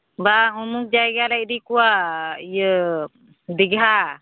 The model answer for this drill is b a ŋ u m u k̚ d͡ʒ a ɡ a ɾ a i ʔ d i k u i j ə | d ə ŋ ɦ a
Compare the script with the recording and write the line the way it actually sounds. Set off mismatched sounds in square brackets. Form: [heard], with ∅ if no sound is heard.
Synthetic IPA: b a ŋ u m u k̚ d͡ʒ a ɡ a [l] a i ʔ d i k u [a] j ə | d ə [ɡ] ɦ a

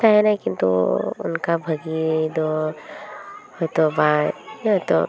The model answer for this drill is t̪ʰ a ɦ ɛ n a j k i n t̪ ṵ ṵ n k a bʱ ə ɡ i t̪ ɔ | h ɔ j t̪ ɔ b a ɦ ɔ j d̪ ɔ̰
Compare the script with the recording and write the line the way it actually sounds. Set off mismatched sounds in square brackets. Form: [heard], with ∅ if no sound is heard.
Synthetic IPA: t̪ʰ a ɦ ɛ n a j k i n t̪ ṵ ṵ n k a bʱ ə ɡ i [d̪] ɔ | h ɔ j t̪ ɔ b a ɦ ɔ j [t̪] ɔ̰

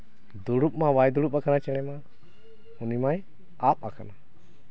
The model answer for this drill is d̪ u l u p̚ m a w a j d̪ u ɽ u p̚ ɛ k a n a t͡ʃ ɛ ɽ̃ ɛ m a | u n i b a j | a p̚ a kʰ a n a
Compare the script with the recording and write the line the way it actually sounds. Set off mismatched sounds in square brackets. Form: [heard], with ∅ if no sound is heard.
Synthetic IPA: d̪ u [ɽ] u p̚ m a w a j d̪ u ɽ u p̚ [a] k a n a t͡ʃ ɛ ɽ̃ ɛ m a | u n i [m] a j | a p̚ a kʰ a n a

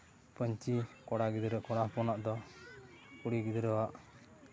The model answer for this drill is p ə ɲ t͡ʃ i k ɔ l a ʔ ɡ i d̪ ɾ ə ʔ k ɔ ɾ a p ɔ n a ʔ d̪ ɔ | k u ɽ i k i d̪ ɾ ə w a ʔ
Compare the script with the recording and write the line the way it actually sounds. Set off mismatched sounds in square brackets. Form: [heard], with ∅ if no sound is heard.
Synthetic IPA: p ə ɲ t͡ʃ i k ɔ [ɽ] a [∅] ɡ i d̪ ɾ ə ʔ k ɔ [ɽ] a p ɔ n a ʔ d̪ ɔ | k u ɽ i [ɡ] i d̪ ɾ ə w a ʔ

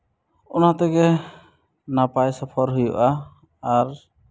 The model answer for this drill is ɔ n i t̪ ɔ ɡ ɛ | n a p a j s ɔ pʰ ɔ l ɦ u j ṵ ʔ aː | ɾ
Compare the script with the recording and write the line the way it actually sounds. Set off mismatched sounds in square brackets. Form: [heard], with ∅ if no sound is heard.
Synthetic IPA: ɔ n [a] t̪ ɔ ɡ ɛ | n a p a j s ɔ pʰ ɔ [ɾ] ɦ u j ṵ ʔ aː | ɾ

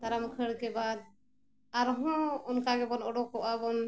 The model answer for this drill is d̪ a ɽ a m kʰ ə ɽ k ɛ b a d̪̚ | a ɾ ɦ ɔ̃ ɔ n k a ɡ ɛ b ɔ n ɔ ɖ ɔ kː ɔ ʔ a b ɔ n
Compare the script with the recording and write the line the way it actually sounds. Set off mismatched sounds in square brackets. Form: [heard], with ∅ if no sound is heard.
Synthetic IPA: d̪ a [ɾ] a m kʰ ə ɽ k ɛ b a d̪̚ | a ɾ ɦ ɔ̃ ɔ n k a ɡ ɛ b ɔ n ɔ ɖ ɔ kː ɔ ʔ a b ɔ n

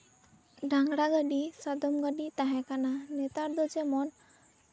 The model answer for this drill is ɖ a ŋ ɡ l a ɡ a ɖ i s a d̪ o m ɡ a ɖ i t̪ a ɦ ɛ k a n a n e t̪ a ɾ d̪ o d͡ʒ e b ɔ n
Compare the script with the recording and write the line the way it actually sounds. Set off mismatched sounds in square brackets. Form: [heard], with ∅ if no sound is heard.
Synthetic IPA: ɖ a ŋ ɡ [ɽ] a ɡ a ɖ i s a d̪ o m ɡ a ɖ i t̪ a ɦ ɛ k a n a n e t̪ a ɾ d̪ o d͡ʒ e [m] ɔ n

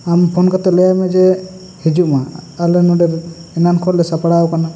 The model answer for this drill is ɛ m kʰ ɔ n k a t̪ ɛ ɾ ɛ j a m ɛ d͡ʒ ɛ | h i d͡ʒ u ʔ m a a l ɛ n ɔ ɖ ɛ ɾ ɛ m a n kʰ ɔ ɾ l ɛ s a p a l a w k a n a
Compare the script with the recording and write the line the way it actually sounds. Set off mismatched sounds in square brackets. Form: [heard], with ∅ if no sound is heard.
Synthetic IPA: [a] m [pʰ] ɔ n k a t̪ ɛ [l] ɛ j a m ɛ d͡ʒ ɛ | h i d͡ʒ u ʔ m a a l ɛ n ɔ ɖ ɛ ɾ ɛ [n] a n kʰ ɔ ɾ l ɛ s a p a [ɽ] a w k a n a

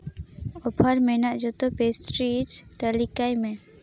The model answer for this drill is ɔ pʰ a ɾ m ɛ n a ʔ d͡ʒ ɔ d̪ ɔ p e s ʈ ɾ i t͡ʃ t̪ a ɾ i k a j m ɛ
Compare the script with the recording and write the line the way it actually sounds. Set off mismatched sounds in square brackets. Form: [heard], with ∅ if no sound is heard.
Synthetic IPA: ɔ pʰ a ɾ m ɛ n a ʔ d͡ʒ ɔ [t̪] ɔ p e s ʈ ɾ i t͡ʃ t̪ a [l] i k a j m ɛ

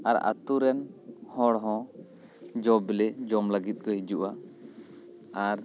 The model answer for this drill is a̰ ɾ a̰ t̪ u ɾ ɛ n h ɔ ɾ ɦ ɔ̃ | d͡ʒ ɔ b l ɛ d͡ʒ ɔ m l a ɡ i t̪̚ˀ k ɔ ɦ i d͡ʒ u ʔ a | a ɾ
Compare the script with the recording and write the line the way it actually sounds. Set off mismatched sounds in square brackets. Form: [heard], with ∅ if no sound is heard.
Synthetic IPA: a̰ ɾ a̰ t̪ u ɾ ɛ n h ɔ [ɽ] ɦ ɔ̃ | d͡ʒ ɔ b l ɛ d͡ʒ ɔ m l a ɡ i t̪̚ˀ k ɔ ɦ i d͡ʒ u ʔ a | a ɾ

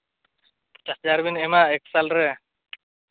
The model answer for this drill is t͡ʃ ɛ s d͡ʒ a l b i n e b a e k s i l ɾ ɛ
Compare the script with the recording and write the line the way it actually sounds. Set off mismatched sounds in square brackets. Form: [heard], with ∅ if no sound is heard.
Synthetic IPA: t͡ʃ [a] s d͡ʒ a [ɾ] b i n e [m] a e k s [a] l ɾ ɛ

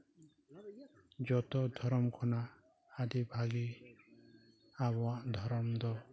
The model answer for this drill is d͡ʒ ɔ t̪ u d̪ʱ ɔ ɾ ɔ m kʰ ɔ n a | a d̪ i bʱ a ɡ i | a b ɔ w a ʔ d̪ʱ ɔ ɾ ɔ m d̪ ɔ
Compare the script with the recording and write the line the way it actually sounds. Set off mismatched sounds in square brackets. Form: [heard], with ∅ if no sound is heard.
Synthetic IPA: d͡ʒ ɔ t̪ [ɔ] d̪ʱ ɔ ɾ ɔ m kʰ ɔ n a | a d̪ i bʱ a ɡ i | a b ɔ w a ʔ d̪ʱ ɔ ɾ ɔ m d̪ ɔ

